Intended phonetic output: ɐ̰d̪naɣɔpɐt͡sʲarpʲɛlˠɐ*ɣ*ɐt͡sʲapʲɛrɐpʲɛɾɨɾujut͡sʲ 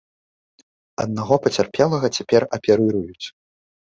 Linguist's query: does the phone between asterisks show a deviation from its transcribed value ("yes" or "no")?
no